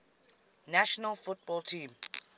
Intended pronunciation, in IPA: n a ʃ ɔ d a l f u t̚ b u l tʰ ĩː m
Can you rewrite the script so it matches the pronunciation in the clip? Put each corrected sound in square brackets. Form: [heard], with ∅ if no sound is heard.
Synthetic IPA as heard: n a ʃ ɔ [n] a l f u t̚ b [ɔ] l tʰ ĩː m